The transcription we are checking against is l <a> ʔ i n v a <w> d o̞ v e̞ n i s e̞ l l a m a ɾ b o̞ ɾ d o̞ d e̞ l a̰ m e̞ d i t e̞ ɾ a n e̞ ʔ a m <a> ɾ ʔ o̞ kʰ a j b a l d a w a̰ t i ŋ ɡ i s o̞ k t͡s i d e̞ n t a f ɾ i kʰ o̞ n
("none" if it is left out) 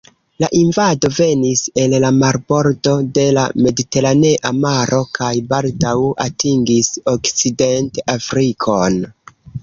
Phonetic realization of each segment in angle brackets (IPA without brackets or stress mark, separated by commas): a, none, a